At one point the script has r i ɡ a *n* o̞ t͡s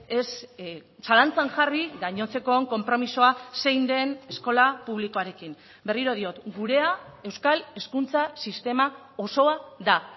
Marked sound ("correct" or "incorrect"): incorrect